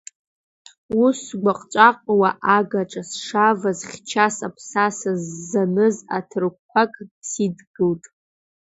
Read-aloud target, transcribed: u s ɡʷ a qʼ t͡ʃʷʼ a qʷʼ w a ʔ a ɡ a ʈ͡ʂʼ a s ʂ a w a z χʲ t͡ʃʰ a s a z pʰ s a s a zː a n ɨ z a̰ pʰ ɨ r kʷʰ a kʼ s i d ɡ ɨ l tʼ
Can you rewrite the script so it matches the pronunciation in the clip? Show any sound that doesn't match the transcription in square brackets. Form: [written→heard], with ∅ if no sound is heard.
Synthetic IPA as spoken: u s ɡʷ a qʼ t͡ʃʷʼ a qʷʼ w a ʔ a ɡ a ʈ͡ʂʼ a s ʂ a [w→v] a z χʲ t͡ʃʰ a s a [z→∅] pʰ s a s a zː a n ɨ z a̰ [pʰ→tʰ] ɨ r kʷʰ a kʼ s i d ɡ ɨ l tʼ